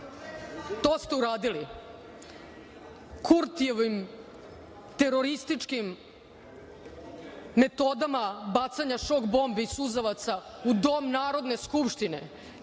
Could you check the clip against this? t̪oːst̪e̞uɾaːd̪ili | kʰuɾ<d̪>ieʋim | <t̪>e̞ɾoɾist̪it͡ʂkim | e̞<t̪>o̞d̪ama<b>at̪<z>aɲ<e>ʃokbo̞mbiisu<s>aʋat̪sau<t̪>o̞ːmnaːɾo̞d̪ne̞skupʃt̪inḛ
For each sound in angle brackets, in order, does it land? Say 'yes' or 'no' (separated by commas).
no, yes, yes, yes, no, no, no, no